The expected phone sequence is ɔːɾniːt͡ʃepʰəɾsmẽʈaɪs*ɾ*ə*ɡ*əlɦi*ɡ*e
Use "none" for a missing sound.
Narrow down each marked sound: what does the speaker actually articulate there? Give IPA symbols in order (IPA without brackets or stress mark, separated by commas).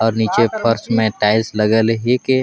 l, ɡ, k